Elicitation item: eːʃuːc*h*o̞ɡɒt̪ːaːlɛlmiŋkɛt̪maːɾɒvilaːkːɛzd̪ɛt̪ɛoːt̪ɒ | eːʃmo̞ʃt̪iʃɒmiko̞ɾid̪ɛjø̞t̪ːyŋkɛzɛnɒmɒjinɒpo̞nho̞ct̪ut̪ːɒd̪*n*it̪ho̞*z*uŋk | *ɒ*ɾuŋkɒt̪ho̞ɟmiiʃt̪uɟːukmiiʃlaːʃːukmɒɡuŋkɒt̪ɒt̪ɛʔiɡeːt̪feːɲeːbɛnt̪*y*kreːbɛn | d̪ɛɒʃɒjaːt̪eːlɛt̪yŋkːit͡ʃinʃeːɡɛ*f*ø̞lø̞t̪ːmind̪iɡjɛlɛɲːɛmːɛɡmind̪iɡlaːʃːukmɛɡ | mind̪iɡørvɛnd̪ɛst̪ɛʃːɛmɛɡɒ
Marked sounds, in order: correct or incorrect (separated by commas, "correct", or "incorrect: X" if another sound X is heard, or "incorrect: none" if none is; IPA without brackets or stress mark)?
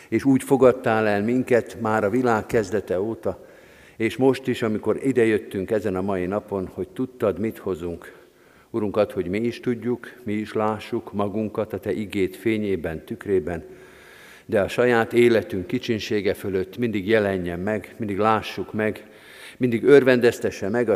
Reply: incorrect: f, incorrect: m, correct, incorrect: u, correct, correct